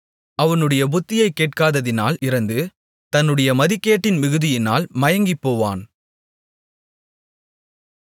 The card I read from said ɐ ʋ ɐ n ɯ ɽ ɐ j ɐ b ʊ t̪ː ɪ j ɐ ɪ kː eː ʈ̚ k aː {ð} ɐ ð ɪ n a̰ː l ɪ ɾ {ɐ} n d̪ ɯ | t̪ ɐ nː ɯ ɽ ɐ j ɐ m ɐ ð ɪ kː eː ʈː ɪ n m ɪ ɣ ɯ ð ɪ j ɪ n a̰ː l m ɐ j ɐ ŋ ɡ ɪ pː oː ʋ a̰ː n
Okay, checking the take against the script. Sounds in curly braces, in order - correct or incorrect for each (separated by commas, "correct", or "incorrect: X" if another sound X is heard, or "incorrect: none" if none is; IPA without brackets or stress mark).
correct, correct